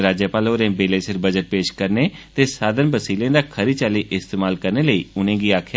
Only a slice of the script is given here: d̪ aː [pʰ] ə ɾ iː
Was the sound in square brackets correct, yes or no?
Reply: no